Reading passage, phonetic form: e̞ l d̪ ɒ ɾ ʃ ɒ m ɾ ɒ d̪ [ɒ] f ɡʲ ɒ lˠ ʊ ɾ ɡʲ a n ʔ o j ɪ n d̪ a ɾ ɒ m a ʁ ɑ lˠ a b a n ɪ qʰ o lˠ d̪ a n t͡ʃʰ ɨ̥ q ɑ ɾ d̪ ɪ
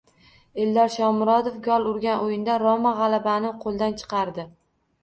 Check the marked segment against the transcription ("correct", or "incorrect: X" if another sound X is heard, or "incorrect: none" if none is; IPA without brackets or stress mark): incorrect: o